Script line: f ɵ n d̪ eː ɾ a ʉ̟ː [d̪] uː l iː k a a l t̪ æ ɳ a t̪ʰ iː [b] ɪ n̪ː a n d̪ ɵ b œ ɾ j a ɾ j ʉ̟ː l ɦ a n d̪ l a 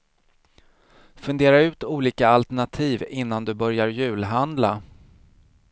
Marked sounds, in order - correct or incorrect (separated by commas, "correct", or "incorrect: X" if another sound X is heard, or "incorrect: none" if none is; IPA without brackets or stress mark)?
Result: incorrect: t̪, incorrect: v